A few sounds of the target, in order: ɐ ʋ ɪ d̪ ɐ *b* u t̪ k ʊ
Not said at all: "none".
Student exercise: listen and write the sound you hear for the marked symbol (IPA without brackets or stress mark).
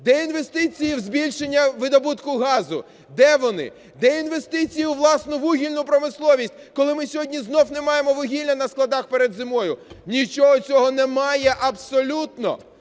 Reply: b